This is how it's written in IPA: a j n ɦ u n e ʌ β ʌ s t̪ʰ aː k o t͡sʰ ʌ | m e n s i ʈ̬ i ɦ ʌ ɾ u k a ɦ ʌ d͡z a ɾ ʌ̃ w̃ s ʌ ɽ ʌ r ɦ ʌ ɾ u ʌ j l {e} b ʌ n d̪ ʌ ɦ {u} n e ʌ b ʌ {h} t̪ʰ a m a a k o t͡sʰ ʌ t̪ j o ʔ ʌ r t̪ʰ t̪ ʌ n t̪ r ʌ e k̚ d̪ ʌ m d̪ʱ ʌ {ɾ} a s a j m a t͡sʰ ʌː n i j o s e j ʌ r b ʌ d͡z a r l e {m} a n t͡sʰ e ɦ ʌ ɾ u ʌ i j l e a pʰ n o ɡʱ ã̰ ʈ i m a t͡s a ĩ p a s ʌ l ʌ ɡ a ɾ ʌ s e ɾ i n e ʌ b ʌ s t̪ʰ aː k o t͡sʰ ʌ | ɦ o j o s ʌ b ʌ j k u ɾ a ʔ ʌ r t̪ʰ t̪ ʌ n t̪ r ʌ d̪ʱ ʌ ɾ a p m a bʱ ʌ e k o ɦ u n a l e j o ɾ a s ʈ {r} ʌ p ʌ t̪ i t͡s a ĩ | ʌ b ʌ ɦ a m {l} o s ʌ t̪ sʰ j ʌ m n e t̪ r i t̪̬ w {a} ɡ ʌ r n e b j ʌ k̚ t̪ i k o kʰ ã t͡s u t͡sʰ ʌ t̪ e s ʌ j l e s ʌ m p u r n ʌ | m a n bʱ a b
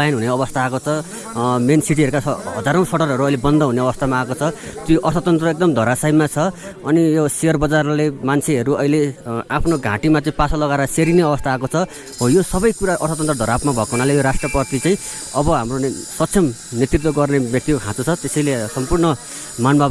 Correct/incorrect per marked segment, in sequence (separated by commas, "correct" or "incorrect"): correct, correct, incorrect, correct, correct, correct, incorrect, incorrect